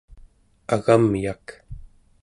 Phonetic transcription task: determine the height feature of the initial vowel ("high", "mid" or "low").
low